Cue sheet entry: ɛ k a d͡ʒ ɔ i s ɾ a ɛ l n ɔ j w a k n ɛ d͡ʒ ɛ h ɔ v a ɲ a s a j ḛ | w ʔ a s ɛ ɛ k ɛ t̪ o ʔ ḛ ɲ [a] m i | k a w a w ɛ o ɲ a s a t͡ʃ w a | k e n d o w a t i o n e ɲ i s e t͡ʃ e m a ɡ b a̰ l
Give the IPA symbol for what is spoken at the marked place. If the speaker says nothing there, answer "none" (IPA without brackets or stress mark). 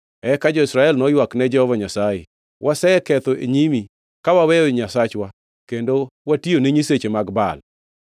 i